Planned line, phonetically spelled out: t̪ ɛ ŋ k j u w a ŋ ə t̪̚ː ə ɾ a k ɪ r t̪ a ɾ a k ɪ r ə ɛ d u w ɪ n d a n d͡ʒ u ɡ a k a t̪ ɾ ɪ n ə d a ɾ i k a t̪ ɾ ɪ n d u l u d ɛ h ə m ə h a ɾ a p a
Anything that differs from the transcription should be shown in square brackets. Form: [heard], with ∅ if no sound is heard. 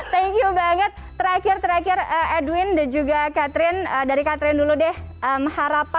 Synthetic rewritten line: t̪ ɛ ŋ k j u [b] a ŋ ə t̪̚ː ə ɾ a k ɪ r t̪ [ə] ɾ a k ɪ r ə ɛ d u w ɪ n d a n d͡ʒ u ɡ a k a t̪ ɾ ɪ n ə d a ɾ i k a t̪ ɾ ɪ n d u l u d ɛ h ə m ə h a ɾ a p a

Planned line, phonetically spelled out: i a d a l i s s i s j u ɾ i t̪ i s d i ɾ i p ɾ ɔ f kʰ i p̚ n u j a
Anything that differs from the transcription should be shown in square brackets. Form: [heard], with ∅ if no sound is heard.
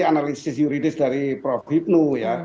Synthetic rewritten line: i a [n] a l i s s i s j u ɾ i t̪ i s d [a] ɾ i p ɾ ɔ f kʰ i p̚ n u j a

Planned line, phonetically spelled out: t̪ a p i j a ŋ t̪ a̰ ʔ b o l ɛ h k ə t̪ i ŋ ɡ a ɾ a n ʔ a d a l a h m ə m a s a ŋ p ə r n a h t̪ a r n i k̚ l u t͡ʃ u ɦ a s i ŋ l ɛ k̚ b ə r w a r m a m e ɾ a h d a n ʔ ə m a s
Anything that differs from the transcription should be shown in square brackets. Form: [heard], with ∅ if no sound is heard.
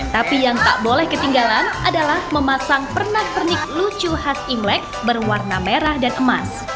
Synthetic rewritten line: t̪ a p i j a ŋ t̪ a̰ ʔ b o l ɛ h k ə t̪ i ŋ ɡ a [l] a n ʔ a d a l a h m ə m a s a ŋ p ə r n a h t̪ [ə] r n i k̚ l u t͡ʃ u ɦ a s i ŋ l ɛ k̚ b ə r w a r [n] a m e ɾ a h d a n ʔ ə m a s

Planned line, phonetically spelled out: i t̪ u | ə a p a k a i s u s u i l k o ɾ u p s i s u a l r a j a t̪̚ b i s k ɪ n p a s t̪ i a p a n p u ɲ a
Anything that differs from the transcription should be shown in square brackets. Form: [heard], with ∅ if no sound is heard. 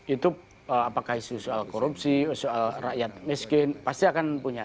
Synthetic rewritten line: i t̪ u | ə a p a k a i s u s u [a] l k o ɾ u p s i s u a l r a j a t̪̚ [m] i s k ɪ n p a s t̪ i a [k] a n p u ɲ a

